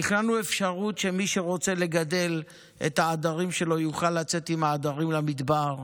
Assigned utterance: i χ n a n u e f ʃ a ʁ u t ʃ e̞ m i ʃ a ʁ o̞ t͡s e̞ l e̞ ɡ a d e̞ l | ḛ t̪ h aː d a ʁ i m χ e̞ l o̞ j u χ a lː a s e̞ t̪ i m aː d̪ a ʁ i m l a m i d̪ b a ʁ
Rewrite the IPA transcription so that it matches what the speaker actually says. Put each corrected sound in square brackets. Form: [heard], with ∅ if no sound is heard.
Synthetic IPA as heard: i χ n a n u e f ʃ a ʁ u t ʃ e̞ m i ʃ [e] ʁ o̞ t͡s e̞ l e̞ ɡ a d e̞ l | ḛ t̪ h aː d a ʁ i m [ʃ] e̞ l o̞ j u χ a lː a [t͡s] e̞ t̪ i m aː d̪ a ʁ i m l a m i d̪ b a ʁ